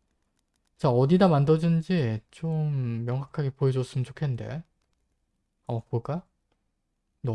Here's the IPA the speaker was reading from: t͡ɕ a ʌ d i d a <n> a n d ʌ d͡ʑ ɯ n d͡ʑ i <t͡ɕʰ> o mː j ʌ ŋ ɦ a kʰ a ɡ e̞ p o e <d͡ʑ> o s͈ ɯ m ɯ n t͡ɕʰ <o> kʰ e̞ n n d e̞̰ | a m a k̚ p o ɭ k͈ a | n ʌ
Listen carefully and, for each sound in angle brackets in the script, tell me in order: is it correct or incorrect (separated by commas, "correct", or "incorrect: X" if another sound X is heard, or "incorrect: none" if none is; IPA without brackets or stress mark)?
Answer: incorrect: m, incorrect: t͡ɕ, correct, correct